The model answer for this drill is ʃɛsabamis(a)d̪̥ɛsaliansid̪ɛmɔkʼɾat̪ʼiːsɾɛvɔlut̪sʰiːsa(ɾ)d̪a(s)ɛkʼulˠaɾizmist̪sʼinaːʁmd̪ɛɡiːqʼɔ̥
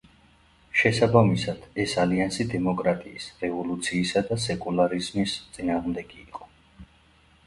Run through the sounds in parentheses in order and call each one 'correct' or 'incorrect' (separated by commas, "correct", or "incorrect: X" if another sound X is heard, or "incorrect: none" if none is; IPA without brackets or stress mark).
correct, incorrect: none, correct